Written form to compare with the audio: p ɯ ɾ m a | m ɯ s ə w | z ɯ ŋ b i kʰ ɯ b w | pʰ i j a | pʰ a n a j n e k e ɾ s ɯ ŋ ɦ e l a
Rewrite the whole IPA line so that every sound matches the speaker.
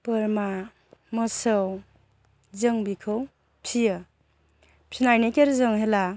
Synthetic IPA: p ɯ ɾ m a | m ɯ s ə w | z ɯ ŋ b i kʰ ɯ w | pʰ i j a | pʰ i n a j n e k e ɾ z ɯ ŋ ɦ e l a